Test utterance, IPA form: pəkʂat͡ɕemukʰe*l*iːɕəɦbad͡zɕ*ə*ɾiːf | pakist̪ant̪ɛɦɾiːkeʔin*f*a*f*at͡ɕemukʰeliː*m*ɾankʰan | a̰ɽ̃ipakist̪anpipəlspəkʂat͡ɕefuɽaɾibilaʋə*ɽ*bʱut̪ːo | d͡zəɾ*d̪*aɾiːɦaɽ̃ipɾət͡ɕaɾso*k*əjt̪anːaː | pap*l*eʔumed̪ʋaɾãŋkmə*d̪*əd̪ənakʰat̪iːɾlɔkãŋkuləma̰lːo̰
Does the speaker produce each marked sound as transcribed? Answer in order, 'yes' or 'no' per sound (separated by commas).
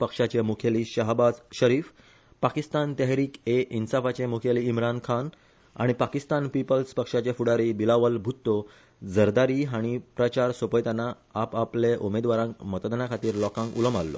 yes, yes, no, yes, yes, no, yes, no, yes, no